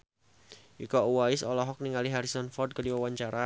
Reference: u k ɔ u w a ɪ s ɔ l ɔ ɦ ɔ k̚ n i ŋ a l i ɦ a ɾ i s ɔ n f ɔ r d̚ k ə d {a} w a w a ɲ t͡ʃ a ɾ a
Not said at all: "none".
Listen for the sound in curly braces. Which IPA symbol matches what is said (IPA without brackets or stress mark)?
i